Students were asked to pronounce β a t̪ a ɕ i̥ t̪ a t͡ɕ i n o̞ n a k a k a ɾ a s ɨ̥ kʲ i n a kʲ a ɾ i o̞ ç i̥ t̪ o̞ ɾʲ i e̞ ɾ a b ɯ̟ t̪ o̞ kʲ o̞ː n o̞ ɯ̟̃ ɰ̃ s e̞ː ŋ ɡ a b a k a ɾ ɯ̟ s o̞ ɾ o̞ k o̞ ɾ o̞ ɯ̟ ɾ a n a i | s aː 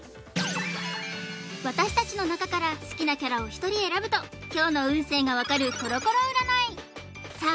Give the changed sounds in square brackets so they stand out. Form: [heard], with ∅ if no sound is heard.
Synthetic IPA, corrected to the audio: β a t̪ a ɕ i̥ t̪ a t͡ɕ i n o̞ n a k a k a ɾ a s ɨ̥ kʲ i n a kʲ a ɾ [a] o̞ ç i̥ t̪ o̞ ɾʲ i e̞ ɾ a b ɯ̟ t̪ o̞ kʲ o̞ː n o̞ ɯ̟̃ ɰ̃ s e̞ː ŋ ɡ a [β] a k a ɾ ɯ̟ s o̞ ɾ o̞ k o̞ ɾ o̞ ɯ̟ ɾ a n a i | s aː